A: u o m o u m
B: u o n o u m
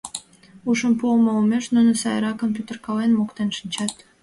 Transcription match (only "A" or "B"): A